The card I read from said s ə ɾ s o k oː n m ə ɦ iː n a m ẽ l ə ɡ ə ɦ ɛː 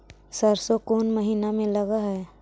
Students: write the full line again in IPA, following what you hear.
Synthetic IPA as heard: s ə ɾ s o k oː n m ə ɦ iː n a m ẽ l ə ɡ a ɦ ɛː